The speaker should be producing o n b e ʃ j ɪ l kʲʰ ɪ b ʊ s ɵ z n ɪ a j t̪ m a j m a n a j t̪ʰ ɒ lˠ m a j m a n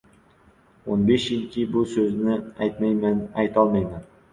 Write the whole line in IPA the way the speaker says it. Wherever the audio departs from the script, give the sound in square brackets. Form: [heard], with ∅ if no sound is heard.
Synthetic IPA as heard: o n b e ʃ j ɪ l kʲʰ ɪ b ʊ s ɵ z n ɪ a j t̪ m a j m a n a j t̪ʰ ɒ lˠ m a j m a n